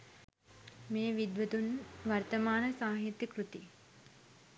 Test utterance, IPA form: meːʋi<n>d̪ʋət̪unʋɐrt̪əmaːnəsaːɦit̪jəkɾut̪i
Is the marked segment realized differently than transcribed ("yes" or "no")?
yes